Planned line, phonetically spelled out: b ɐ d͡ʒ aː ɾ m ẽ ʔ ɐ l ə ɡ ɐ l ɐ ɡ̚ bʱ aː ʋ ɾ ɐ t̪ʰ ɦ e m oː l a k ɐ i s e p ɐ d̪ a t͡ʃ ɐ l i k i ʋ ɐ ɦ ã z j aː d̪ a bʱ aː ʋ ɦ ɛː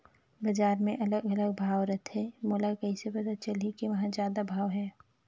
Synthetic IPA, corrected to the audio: b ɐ d͡ʒ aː ɾ m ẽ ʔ ɐ l ə ɡ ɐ l ə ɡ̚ bʱ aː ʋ ɾ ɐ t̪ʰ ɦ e m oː l a k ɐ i s e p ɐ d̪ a t͡ʃ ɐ l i k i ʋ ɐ ɦ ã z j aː d̪ a bʱ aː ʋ ɦ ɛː

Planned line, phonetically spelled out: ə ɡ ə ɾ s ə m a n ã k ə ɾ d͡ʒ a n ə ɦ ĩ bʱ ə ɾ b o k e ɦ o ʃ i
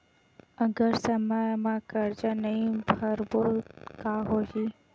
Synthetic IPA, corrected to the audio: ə ɡ ə ɾ s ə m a m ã k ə ɾ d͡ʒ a n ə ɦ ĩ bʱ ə ɾ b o k a ɦ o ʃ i

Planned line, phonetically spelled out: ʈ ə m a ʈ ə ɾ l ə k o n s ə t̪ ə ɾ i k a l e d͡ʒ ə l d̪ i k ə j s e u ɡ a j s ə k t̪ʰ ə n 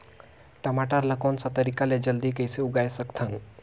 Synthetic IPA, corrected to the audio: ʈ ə m a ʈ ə ɾ l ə k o n s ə t̪ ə ɾ i k a l e d͡ʒ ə l d̪ i k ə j s e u ɡ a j s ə k t̪ʰ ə n

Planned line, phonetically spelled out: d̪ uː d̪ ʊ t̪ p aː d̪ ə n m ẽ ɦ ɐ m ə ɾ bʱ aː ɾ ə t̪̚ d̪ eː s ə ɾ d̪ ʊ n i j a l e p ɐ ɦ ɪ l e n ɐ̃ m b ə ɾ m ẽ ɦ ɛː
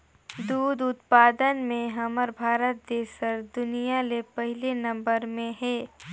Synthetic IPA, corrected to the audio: d̪ uː d̪ ʊ t̪ p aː d̪ ə n m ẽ ɦ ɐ m ə ɾ bʱ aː ɾ ə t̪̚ d̪ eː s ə ɾ d̪ ʊ n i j a l e p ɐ ɦ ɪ l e n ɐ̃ m b ə ɾ m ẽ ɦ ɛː

